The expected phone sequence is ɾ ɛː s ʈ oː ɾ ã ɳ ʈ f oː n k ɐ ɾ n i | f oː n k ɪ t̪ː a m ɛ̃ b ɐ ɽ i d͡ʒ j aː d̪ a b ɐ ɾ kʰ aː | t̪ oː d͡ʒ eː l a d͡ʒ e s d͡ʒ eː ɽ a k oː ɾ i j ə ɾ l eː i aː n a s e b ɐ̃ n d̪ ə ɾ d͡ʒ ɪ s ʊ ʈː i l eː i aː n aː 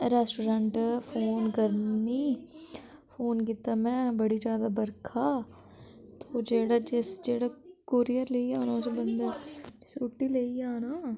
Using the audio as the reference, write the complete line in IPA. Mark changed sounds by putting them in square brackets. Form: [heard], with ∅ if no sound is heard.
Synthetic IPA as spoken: ɾ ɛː s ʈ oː ɾ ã ɳ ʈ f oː n k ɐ ɾ n i | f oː n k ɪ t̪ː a m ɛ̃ b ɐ ɽ i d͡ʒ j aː d̪ a b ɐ ɾ kʰ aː | t̪ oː d͡ʒ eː [ɽ] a d͡ʒ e s d͡ʒ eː ɽ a k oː ɾ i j ə ɾ l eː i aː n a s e b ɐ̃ n d̪ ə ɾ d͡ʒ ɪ s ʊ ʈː i l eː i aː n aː